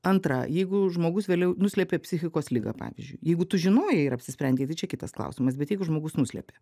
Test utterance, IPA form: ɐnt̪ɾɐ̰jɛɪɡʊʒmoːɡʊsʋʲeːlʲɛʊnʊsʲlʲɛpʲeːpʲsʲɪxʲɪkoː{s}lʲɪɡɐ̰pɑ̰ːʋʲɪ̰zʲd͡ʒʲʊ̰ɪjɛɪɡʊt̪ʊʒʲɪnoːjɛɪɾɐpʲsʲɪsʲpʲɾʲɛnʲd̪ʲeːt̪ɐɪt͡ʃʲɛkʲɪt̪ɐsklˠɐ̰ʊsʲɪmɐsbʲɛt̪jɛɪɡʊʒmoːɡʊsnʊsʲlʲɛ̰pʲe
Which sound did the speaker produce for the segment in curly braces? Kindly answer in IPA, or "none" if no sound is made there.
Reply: s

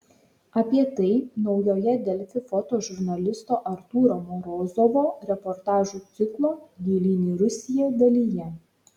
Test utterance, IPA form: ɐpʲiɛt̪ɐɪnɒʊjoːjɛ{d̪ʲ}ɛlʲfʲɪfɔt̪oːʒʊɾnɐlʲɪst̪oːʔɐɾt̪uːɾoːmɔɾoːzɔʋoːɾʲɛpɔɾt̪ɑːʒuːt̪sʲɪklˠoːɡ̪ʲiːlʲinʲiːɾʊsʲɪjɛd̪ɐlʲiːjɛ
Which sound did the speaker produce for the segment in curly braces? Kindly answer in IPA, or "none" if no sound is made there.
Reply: d̪ʲ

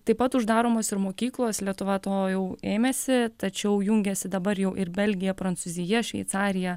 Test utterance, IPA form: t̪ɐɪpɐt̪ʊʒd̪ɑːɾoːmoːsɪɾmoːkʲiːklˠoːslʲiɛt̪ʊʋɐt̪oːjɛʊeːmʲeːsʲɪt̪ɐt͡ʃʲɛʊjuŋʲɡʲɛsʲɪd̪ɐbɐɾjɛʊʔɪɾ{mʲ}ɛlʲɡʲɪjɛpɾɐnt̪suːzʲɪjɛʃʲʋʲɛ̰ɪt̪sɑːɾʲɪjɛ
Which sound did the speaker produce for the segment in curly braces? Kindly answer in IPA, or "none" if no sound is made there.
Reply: bʲ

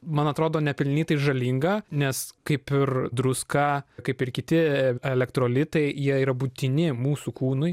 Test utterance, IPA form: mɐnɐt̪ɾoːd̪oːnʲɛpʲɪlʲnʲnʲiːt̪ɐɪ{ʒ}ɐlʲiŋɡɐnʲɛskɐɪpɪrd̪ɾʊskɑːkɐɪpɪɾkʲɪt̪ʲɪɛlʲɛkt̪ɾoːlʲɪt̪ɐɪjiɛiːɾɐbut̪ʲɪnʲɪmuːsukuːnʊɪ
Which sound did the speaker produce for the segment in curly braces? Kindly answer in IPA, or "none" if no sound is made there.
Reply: ʒ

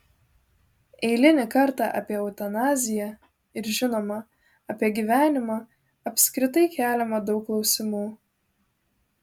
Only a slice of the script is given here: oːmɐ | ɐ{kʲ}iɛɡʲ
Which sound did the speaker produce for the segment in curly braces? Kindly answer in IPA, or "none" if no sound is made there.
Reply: pʲ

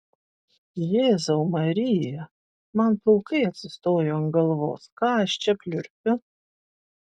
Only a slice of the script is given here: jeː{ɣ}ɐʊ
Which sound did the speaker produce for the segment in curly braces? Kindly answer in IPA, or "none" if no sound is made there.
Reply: z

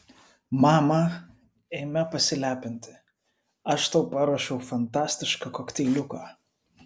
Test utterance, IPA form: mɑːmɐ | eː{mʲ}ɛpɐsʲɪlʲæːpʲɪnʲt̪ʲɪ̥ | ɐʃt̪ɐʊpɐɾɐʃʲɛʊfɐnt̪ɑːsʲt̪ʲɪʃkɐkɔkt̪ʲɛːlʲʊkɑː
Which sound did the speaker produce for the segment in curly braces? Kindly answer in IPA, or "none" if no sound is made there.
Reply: mʲ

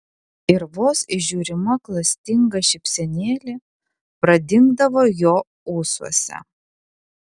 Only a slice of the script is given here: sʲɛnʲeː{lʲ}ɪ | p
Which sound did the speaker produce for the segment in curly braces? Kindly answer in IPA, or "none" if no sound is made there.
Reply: lʲ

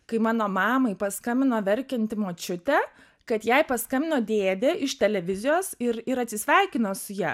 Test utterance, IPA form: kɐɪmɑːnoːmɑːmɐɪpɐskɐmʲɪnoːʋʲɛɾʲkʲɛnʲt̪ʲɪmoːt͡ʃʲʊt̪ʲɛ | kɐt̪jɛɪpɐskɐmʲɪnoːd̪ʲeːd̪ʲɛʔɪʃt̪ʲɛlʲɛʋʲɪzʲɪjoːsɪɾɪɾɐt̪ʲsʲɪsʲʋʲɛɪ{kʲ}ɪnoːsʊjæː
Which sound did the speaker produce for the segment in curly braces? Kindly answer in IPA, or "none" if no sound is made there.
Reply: kʲ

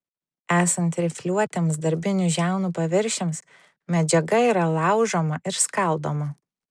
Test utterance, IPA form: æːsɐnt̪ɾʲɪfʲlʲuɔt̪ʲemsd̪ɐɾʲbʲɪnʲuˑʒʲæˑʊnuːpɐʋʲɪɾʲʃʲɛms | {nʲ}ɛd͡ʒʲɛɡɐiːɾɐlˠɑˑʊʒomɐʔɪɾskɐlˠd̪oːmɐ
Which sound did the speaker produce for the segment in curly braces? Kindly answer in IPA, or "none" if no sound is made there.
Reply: mʲ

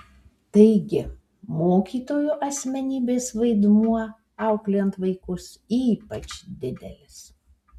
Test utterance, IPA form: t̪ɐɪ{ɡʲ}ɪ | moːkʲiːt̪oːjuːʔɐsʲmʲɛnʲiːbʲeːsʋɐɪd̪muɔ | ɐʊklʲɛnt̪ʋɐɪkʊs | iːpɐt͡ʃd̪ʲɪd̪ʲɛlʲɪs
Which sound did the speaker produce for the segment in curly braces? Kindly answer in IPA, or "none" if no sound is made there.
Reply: ɡʲ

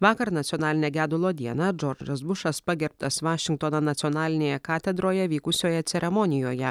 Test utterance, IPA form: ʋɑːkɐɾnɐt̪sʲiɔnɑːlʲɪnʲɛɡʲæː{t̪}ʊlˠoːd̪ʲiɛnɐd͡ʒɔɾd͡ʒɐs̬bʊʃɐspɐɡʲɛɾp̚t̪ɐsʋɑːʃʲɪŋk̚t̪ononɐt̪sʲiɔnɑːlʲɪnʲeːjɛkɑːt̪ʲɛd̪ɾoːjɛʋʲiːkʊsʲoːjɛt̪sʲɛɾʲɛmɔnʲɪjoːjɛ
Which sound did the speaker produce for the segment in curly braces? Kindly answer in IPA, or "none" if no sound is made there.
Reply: d̪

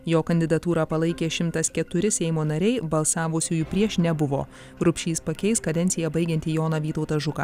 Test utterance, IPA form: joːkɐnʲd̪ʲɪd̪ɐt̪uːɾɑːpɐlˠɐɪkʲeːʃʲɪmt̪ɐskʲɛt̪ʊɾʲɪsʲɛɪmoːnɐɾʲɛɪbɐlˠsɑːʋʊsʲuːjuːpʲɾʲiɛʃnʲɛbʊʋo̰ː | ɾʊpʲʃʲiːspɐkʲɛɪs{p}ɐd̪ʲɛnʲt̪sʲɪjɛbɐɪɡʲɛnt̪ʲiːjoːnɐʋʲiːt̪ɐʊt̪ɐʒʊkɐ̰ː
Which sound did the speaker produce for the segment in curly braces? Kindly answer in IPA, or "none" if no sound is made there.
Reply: k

